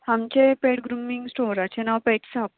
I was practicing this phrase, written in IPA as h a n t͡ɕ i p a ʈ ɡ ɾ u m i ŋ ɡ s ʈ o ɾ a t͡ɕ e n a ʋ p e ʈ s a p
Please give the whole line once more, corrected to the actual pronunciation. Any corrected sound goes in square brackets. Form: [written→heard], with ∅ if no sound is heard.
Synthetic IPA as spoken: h a [n→m] t͡ɕ [i→e] p [a→e] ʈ ɡ ɾ u m i ŋ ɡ s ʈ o ɾ a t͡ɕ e n a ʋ p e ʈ s a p